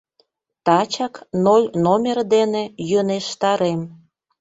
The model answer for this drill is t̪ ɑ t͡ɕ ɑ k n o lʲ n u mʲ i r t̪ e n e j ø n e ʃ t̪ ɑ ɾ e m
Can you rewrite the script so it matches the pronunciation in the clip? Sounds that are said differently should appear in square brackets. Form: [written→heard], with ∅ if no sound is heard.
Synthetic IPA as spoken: t̪ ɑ t͡ɕ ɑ k n o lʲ n [u→o] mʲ [i→e] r [t̪→d̪] e n e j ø n e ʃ t̪ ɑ ɾ e m